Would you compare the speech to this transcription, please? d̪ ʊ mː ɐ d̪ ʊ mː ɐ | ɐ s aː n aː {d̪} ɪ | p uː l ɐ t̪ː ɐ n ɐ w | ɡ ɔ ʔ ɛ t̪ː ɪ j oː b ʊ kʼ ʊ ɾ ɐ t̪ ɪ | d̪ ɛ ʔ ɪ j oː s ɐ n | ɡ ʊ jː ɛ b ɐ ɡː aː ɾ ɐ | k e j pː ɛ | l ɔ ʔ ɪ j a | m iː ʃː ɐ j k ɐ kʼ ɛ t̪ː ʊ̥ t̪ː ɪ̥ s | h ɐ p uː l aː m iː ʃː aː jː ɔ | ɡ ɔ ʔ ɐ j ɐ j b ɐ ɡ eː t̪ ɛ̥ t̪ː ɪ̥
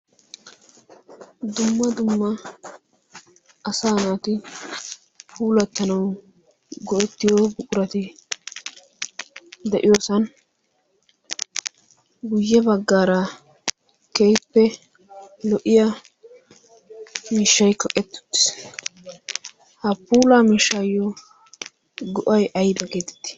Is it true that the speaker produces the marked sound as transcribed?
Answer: no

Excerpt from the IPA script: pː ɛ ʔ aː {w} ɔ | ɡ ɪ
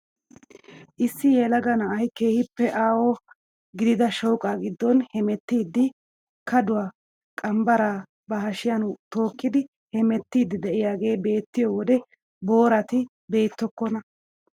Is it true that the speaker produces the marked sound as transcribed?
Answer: yes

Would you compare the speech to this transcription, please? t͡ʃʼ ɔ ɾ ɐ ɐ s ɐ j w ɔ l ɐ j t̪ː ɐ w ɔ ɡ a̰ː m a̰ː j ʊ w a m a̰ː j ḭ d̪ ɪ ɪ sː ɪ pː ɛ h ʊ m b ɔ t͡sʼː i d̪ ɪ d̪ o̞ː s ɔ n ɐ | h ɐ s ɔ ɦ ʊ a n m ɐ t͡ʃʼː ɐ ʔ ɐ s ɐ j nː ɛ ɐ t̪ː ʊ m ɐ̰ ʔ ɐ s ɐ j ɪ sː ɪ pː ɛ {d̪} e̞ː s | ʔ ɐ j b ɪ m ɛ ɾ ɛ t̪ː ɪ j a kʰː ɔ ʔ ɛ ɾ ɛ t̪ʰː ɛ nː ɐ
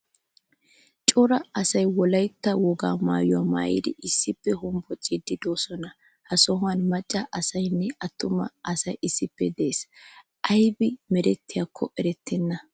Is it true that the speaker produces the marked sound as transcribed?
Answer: yes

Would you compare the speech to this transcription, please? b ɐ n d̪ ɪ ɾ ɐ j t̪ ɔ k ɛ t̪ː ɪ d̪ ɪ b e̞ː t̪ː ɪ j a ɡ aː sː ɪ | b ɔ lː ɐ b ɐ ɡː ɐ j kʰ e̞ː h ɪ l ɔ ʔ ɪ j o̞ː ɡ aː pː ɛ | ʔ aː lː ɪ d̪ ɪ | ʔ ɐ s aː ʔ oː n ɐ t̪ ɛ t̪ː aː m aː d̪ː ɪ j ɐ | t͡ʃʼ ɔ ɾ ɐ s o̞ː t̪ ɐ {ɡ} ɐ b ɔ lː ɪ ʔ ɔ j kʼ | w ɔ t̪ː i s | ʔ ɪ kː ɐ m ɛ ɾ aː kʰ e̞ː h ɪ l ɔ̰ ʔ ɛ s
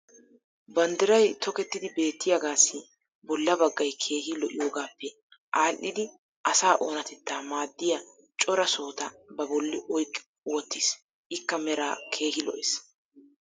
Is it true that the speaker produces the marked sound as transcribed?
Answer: no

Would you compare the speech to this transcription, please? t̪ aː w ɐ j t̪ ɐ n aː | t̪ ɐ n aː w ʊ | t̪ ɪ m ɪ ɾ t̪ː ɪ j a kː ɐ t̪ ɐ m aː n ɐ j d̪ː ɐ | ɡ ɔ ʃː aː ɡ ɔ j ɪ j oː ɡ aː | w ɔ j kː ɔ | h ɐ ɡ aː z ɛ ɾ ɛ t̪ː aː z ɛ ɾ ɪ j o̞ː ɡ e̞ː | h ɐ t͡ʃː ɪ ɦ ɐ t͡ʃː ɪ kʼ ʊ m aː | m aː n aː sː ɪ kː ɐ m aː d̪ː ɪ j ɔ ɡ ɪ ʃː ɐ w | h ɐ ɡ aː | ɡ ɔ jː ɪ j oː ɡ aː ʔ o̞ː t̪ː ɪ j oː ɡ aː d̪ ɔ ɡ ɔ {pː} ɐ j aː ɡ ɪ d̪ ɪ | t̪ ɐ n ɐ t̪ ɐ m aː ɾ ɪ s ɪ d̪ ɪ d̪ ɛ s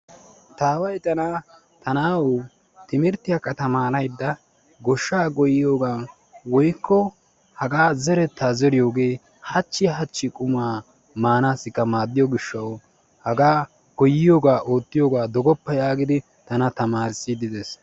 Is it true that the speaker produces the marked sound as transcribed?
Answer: yes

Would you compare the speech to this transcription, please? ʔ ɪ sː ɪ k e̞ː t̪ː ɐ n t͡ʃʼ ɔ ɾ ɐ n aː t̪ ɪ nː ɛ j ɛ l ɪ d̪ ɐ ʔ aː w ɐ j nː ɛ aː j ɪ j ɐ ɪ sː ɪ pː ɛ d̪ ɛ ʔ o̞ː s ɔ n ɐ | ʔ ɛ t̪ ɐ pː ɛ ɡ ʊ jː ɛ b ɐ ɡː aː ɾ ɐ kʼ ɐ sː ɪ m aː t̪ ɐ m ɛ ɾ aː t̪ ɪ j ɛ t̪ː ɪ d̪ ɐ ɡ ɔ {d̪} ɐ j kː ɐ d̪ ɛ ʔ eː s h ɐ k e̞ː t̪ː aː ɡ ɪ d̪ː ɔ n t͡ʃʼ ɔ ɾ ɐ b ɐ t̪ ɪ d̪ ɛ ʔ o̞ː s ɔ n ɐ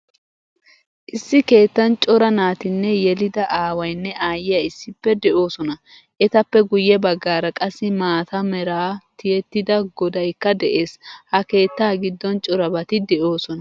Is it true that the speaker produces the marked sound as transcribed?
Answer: yes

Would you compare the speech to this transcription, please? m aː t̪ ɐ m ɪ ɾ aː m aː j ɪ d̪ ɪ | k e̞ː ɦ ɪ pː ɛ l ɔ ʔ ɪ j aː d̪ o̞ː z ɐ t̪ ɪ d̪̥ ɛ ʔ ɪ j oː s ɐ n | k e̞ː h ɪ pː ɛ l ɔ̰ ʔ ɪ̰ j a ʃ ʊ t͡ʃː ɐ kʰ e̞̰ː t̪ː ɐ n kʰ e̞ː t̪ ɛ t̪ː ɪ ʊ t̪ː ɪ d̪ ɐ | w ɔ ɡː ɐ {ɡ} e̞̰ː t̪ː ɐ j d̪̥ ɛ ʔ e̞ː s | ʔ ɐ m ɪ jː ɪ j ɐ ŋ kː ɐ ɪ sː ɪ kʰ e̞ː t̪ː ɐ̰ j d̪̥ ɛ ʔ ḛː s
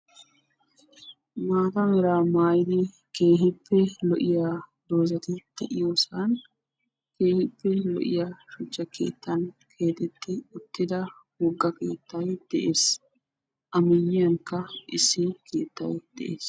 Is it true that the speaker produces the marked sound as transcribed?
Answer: no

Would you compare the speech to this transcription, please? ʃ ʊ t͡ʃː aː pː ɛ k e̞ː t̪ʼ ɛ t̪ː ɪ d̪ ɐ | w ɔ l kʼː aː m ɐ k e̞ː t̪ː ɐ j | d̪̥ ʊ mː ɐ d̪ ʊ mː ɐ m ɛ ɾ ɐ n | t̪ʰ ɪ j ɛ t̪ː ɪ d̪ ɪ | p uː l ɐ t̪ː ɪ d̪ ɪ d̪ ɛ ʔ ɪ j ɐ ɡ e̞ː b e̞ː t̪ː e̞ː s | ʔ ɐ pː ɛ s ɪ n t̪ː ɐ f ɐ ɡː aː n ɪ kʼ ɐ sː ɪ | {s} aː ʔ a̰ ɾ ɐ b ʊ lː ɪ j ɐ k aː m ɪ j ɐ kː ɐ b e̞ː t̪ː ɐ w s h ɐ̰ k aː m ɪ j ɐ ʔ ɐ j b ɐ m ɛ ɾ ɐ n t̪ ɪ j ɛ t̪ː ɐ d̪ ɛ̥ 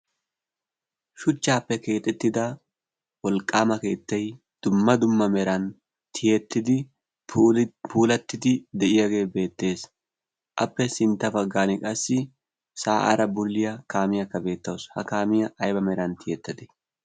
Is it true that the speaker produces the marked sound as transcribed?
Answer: yes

